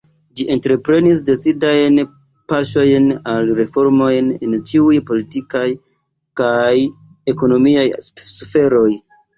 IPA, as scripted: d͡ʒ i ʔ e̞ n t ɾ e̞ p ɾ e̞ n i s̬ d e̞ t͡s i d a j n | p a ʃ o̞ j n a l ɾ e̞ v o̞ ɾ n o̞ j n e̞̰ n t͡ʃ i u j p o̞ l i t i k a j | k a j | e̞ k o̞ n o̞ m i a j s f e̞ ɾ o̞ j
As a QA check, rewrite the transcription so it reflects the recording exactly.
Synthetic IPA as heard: d͡ʒ i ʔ e̞ n t ɾ e̞ p ɾ e̞ n i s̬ d e̞ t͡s i d a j n | p a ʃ o̞ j n a l ɾ e̞ f o̞ ɾ m o̞ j n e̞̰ n t͡ʃ i u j p o̞ l i t i k a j | k a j | e̞ k o̞ n o̞ m i a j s f e̞ ɾ o̞ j